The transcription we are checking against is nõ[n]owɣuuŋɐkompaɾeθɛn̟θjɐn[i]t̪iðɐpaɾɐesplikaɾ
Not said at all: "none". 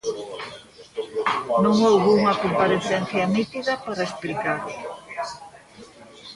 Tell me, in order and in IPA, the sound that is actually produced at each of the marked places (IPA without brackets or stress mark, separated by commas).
ŋ, i